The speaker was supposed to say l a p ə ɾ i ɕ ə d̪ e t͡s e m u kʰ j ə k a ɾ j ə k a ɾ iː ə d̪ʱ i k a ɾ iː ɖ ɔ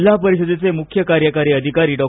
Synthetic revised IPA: l a p ə ɾ i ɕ ə d̪ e t͡s e m u kʰ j ə k a ɾ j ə k a ɾ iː ə d̪ʱ i k a ɾ iː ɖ ɔ